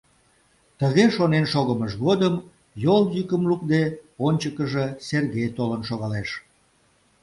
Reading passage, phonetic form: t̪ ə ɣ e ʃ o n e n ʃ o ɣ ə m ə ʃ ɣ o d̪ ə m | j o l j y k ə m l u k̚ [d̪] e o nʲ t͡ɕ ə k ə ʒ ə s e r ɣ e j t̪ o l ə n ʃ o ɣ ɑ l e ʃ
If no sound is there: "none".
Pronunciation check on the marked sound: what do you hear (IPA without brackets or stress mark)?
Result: d̪